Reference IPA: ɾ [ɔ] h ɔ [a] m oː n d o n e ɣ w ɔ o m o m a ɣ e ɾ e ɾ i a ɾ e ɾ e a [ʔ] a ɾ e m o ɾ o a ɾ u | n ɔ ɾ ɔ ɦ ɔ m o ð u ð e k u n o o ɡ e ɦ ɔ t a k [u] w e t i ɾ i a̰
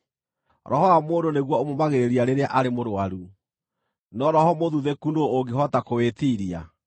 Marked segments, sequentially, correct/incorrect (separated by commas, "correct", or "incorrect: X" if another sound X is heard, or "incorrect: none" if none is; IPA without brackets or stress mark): correct, correct, correct, incorrect: o